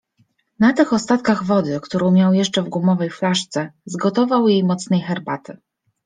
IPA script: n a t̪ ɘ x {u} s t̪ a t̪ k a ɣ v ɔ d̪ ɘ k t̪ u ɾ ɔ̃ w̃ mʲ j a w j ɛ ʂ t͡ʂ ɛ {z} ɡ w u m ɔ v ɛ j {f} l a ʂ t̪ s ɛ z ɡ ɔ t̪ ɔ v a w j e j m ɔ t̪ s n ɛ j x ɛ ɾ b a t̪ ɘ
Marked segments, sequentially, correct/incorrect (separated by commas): incorrect, incorrect, correct